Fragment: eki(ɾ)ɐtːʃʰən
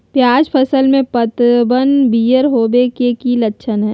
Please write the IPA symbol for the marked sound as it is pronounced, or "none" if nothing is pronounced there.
l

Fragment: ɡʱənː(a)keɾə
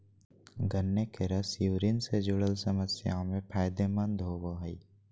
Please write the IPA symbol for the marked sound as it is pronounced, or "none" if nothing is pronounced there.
e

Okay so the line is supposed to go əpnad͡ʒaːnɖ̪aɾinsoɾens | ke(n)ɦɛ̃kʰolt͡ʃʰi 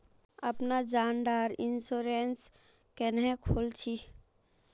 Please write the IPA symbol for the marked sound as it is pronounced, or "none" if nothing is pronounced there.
n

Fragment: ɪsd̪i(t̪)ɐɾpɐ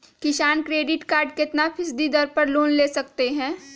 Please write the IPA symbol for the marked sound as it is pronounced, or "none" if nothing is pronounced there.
d̪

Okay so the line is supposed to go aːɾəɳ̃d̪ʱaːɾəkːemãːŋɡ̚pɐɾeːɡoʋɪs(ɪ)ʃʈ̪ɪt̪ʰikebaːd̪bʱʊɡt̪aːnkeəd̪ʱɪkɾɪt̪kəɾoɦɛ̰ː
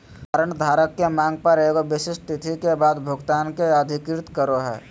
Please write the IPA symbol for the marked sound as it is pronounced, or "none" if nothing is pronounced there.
ɪ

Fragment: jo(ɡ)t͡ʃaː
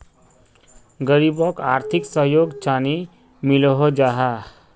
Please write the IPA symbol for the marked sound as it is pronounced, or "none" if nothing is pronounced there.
ɡ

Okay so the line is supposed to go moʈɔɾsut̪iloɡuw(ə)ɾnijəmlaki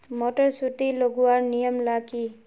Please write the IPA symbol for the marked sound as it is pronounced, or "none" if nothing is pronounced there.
a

